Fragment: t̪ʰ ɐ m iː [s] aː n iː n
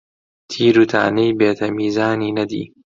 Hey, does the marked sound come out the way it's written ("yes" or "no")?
no